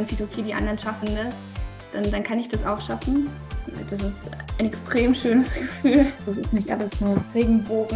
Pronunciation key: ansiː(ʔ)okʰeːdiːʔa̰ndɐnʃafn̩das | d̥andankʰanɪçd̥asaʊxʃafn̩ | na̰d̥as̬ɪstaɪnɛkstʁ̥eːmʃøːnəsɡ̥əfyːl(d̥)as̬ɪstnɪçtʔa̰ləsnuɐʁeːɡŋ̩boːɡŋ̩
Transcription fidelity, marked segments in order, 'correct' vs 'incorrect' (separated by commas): incorrect, correct